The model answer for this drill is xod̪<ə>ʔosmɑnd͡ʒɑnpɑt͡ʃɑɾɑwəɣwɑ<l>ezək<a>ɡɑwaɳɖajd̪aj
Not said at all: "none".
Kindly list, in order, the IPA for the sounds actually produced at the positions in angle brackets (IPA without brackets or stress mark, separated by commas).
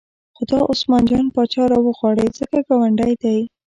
ɑ, ɽ, a